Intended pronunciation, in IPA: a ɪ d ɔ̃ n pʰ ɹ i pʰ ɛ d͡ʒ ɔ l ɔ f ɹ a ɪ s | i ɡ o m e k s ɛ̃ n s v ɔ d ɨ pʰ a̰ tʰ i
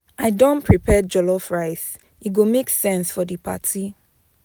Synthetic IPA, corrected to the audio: a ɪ d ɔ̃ n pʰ ɹ i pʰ ɛ d͡ʒ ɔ l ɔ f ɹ a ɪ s | i ɡ o m e k s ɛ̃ n s f ɔ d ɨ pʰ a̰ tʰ i